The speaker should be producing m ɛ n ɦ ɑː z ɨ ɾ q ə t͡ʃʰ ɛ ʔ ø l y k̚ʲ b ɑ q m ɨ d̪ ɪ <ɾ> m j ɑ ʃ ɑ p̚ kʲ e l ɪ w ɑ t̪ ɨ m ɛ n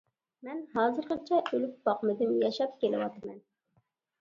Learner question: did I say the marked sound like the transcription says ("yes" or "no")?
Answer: no